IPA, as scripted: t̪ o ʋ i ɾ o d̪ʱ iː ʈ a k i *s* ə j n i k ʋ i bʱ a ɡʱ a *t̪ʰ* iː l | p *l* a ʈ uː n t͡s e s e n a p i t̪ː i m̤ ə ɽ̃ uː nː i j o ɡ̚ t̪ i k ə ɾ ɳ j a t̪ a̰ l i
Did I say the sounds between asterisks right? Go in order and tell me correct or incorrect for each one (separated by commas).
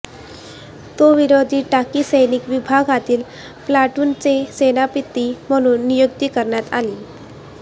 correct, incorrect, correct